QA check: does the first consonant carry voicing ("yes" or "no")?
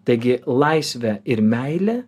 no